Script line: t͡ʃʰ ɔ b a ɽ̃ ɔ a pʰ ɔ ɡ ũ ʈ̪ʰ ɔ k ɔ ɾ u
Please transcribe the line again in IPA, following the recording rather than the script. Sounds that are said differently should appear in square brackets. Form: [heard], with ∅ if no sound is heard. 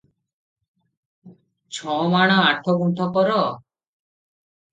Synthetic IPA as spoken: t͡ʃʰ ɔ [m] a ɽ̃ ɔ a [ʈʰ] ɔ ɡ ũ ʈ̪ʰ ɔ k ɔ ɾ [ɔ]